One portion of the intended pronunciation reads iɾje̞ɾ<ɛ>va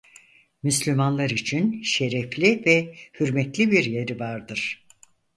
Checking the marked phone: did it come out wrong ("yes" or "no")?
yes